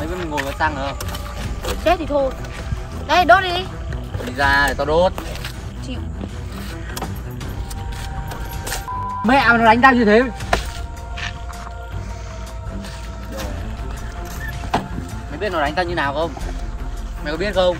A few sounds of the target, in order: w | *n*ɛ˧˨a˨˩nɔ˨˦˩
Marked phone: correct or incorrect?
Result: incorrect